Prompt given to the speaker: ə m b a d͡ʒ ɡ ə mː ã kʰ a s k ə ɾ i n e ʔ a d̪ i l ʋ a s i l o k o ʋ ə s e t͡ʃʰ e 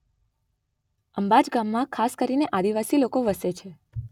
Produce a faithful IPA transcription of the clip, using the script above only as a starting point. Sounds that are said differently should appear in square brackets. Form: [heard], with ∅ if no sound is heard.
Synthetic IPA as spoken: ə m b a d͡ʒ ɡ [a] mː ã kʰ a s k ə ɾ i n e ʔ a d̪ i [∅] ʋ a s i l o k o ʋ ə s e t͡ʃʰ e